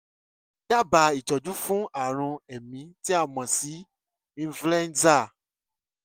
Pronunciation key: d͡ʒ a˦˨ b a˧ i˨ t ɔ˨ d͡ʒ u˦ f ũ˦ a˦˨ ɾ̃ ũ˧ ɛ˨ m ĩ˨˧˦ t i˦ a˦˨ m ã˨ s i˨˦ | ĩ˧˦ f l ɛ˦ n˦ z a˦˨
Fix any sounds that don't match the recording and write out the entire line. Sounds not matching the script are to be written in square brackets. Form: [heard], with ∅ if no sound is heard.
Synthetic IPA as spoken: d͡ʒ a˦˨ b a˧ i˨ [t͡ʃ] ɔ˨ d͡ʒ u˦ f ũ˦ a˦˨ ɾ̃ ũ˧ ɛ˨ m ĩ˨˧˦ t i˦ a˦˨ m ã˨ s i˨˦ | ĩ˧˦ f l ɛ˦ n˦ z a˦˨